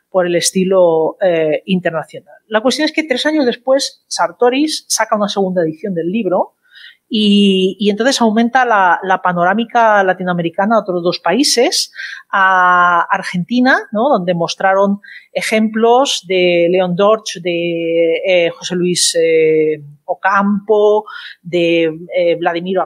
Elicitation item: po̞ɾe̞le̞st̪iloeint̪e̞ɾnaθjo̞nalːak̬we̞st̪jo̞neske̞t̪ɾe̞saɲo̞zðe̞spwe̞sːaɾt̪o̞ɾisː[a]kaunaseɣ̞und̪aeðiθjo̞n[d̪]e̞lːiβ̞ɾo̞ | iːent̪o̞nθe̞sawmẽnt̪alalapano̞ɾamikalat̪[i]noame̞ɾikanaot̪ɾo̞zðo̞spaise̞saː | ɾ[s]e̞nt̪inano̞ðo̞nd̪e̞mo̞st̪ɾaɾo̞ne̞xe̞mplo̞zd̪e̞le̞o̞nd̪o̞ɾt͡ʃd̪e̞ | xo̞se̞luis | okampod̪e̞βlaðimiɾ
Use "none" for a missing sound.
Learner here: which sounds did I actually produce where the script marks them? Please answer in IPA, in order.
a, d̪, i, x

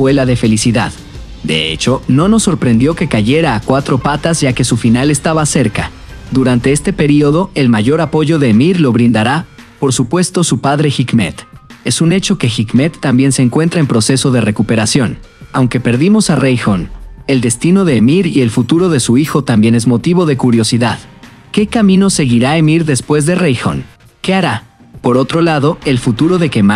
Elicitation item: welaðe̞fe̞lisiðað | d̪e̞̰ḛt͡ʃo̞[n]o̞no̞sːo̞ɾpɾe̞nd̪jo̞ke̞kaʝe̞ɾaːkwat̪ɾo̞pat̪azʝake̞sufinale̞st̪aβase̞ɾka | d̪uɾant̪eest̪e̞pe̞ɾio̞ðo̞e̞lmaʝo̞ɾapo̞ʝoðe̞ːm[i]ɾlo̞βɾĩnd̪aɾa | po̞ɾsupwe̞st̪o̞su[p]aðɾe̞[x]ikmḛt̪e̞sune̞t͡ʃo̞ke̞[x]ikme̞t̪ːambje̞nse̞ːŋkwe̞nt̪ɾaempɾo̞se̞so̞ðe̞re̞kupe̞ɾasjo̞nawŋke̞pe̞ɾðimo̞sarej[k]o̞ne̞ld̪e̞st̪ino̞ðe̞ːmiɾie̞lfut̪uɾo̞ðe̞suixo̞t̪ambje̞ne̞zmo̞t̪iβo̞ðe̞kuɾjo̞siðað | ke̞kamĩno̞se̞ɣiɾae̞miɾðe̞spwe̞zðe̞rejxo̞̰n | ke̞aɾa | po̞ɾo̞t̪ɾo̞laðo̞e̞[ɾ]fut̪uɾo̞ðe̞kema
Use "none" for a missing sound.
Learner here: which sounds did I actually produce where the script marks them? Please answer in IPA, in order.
n, i, p, x, x, x, l

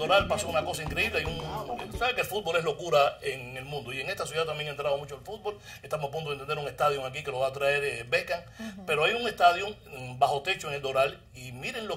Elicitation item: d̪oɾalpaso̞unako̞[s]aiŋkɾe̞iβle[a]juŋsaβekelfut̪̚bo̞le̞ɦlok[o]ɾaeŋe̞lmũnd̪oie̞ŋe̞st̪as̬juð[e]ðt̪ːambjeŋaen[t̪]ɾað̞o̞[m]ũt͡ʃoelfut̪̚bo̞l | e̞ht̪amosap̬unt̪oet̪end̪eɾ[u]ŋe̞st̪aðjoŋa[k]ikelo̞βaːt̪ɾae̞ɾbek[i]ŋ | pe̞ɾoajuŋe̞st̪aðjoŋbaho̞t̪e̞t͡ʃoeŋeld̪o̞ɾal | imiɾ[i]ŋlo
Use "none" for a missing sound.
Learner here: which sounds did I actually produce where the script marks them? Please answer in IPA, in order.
s, a, u, a, t̪, m, u, k, a, e

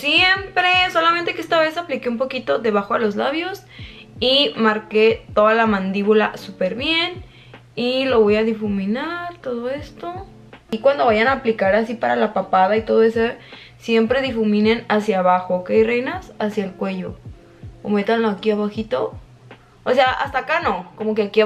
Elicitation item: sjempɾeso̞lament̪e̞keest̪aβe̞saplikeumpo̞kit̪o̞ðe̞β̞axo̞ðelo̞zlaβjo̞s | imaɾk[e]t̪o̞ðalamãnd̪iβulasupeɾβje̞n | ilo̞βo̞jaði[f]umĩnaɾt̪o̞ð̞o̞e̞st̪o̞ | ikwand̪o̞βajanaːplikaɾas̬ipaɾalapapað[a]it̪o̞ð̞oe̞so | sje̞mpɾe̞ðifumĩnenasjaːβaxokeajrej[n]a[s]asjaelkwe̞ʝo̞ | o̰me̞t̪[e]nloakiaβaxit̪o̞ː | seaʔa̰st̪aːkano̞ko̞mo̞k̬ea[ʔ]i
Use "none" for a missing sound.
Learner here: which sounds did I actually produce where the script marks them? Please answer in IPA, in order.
e, f, a, n, s, a, k

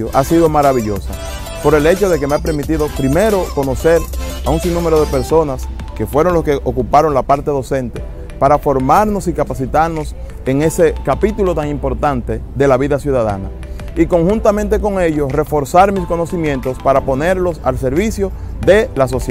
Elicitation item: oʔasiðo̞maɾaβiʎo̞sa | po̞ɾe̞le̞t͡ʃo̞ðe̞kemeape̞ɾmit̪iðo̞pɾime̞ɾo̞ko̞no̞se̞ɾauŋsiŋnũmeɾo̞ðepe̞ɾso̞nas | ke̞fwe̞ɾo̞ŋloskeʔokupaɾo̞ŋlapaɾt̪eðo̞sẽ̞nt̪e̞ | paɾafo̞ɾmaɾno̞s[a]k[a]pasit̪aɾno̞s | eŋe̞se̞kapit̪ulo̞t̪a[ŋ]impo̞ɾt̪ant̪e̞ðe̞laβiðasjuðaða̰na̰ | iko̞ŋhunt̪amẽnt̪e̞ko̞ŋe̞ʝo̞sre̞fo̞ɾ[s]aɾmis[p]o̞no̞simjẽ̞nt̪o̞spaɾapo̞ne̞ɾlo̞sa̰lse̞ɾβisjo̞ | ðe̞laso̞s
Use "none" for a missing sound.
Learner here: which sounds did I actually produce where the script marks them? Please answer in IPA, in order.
i, a, ŋ, s, k

